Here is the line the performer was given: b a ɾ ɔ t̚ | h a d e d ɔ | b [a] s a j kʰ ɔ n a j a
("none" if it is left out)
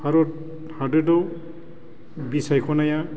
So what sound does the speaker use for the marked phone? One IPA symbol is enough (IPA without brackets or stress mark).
i